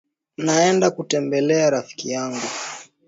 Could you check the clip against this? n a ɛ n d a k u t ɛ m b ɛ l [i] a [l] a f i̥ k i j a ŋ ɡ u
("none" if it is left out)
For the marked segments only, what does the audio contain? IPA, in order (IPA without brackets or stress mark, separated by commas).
ɛ, ɾ